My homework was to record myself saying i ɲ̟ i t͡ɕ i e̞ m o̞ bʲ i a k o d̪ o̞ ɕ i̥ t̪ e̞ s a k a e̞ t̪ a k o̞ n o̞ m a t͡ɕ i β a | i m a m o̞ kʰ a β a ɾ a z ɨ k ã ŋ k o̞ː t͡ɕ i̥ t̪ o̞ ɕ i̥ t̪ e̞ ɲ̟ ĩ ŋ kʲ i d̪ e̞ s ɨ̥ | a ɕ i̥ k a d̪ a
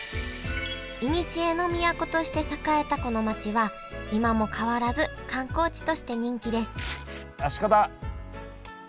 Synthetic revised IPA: i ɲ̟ i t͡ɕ i e̞ n o̞ mʲ i a k o t̪ o̞ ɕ i̥ t̪ e̞ s a k a e̞ t̪ a k o̞ n o̞ m a t͡ɕ i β a | i m a m o̞ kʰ a β a ɾ a z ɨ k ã ŋ k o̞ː t͡ɕ i̥ t̪ o̞ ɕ i̥ t̪ e̞ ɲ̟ ĩ ŋ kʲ i d̪ e̞ s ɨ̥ | a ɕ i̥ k a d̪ a